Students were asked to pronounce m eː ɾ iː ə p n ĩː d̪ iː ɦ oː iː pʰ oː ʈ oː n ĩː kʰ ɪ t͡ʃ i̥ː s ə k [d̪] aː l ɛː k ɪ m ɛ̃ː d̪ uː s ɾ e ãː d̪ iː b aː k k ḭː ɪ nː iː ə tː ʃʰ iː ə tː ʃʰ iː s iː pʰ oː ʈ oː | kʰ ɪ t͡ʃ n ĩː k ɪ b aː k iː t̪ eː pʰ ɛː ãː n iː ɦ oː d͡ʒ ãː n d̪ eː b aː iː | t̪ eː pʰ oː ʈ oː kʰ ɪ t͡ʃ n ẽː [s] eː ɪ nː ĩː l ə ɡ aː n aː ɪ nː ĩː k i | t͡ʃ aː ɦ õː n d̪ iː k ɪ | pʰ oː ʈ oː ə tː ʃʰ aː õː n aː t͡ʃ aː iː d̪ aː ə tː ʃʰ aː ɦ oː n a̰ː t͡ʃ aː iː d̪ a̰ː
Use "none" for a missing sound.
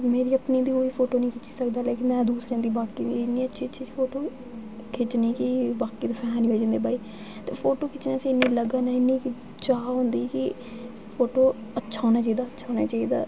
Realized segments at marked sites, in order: d̪, s

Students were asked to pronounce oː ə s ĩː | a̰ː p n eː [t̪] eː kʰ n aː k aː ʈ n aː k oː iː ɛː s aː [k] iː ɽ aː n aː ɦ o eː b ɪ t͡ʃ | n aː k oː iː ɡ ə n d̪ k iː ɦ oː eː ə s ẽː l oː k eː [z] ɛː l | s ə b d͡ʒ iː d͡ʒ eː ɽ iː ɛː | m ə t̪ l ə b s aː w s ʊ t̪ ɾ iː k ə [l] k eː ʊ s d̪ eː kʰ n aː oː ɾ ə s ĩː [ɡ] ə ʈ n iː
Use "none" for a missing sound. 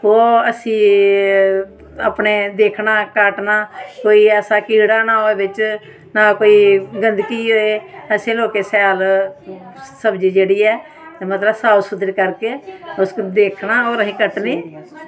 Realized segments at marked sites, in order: d̪, k, s, ɾ, k

